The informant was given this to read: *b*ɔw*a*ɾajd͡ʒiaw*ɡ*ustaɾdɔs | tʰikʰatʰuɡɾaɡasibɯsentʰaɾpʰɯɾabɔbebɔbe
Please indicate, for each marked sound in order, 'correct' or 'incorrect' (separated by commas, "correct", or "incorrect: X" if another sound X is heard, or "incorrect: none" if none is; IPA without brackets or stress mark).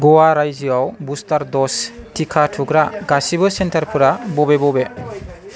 incorrect: ɡ, correct, incorrect: b